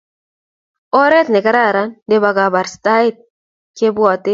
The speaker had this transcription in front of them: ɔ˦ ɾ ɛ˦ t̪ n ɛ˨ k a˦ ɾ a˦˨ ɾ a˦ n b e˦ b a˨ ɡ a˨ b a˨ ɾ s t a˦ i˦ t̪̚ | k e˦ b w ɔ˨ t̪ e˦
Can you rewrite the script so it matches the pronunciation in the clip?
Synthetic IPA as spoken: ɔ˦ ɾ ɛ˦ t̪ n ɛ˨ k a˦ ɾ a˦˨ ɾ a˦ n d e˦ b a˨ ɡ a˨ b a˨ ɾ s t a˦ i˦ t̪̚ | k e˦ b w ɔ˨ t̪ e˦